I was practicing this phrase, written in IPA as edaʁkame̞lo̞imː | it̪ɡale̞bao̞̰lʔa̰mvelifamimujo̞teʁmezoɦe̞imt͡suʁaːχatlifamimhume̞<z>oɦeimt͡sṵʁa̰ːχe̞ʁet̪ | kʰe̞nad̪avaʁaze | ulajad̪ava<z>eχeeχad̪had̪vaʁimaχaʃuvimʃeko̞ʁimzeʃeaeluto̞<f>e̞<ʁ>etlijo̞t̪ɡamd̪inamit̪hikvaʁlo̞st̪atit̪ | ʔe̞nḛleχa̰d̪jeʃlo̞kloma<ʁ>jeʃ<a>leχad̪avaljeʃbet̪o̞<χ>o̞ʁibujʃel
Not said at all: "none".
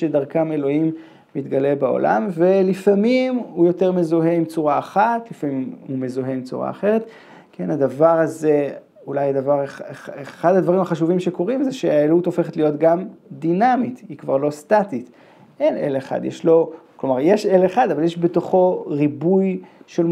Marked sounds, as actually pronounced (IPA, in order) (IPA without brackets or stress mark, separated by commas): z, ʁ, f, χ, ʁ, e, χ